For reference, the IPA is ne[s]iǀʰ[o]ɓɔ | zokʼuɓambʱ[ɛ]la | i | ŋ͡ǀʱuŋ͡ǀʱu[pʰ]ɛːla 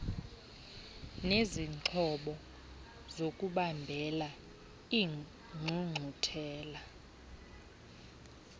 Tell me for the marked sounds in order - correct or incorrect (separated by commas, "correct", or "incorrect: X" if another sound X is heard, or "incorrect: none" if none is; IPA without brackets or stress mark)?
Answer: incorrect: z, incorrect: ɔ, correct, incorrect: tʰ